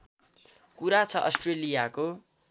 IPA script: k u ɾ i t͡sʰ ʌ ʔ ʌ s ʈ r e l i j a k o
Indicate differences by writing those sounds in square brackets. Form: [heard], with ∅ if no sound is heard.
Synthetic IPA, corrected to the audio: k u ɾ [a] t͡sʰ ʌ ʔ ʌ s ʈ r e l i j a k o

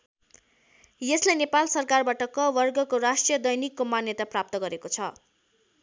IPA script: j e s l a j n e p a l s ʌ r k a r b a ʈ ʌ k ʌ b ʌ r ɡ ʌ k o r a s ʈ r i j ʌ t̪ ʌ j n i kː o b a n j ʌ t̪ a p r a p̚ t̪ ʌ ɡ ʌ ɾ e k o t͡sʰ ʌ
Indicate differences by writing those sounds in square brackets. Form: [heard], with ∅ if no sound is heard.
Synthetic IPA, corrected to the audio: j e s l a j n e p a l s ʌ r k a r b a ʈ ʌ k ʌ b ʌ r ɡ ʌ k o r a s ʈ r i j ʌ [d̪] ʌ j n i kː o [m] a n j ʌ t̪ a p r a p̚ t̪ ʌ ɡ ʌ ɾ e k o t͡sʰ ʌ

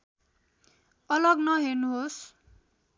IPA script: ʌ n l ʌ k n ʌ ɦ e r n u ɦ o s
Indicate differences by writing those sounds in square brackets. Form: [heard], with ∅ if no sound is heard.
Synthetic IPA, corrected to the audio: ʌ [∅] l ʌ [ɡ] n ʌ ɦ e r n u ɦ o s

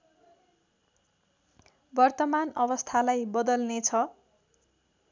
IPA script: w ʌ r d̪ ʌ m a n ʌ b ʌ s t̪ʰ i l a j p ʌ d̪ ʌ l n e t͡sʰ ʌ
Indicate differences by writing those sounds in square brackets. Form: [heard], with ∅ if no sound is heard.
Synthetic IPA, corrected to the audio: [b] ʌ r [t̪] ʌ m a n ʌ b ʌ s t̪ʰ [a] l a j [b] ʌ d̪ ʌ l n e t͡sʰ ʌ

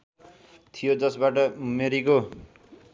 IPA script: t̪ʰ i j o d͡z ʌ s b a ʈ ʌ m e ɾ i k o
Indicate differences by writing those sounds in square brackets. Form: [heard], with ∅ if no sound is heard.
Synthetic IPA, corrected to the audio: t̪ʰ i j o d͡z ʌ s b a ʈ ʌ m e ɾ i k o

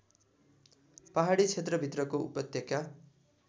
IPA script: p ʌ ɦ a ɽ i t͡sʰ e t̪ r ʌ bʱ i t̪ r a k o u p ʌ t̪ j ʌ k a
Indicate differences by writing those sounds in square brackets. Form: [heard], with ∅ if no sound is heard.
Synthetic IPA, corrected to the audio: p [a] ɦ a ɽ i t͡sʰ e t̪ r ʌ bʱ i t̪ r [ʌ] k o u p ʌ t̪ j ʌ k a

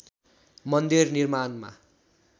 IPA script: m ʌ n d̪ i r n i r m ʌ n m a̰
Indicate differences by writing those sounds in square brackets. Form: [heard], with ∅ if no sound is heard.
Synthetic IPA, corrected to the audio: m ʌ n d̪ i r n i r m [a] n m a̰

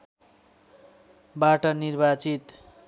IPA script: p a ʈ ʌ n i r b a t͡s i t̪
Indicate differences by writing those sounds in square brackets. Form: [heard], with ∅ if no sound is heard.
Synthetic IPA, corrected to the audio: [b] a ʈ ʌ n i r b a t͡s i t̪

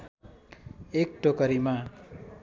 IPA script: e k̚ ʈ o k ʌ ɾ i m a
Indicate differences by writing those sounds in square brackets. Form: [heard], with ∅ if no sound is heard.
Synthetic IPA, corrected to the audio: e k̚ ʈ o k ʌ ɾ i m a

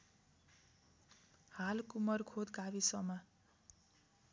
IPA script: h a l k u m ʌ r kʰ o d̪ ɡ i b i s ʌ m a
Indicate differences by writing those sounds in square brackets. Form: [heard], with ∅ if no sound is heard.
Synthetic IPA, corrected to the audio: h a l k u m ʌ r kʰ o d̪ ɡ [a] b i s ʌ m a

